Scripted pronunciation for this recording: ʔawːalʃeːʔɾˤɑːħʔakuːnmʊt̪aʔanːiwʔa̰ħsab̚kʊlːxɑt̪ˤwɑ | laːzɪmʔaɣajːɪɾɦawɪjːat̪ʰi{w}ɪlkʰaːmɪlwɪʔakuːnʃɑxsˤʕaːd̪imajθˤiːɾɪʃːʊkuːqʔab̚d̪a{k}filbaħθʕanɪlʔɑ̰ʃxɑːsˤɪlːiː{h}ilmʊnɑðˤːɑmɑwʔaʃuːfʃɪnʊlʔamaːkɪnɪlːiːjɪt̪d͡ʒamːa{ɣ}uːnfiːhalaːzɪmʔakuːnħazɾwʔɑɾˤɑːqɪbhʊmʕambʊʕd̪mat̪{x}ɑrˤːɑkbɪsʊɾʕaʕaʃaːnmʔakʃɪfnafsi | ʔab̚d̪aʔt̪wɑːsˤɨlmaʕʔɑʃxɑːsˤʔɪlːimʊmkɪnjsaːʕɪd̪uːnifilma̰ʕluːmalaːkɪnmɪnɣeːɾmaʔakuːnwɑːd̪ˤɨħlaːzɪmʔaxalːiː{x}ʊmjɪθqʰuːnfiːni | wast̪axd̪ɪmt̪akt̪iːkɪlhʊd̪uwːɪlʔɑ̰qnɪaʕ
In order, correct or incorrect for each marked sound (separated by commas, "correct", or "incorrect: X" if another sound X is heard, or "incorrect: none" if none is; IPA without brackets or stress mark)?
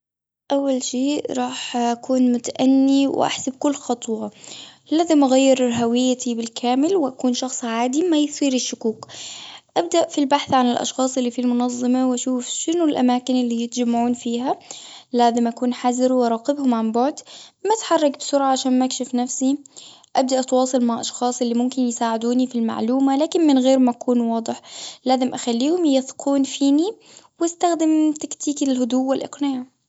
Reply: incorrect: b, incorrect: ʔ, incorrect: f, incorrect: ʕ, incorrect: ħ, incorrect: h